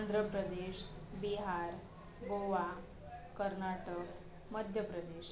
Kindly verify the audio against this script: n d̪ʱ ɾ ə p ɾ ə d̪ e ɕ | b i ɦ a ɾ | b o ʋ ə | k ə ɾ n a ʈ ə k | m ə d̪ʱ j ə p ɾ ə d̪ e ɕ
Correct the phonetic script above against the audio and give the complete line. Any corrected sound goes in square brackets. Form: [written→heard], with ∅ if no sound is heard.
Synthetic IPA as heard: n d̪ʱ ɾ ə p ɾ ə d̪ e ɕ | b i ɦ a ɾ | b o ʋ [ə→a] | k ə ɾ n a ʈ ə k | m ə d̪ʱ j ə p ɾ ə d̪ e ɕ